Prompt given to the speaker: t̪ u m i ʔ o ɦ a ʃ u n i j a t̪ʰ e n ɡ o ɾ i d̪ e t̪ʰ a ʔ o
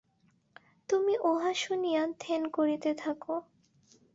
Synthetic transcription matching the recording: t̪ u m i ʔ o ɦ a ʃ u n i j a t̪ʰ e n k o ɾ i t̪ e t̪ʰ a k o